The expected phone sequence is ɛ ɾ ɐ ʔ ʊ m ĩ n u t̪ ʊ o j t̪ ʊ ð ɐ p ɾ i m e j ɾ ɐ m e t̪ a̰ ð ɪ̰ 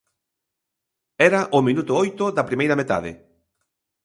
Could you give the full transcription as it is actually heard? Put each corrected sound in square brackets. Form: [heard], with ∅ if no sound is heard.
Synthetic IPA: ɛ ɾ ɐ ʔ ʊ m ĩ n u t̪ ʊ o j t̪ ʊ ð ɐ p ɾ i m e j ɾ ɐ m e t̪ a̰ ð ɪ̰